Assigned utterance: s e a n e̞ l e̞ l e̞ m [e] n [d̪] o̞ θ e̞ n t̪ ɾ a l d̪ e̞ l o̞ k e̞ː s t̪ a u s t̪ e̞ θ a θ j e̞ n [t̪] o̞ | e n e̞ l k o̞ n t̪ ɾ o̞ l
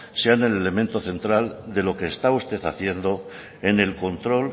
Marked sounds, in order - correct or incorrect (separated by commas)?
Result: incorrect, incorrect, incorrect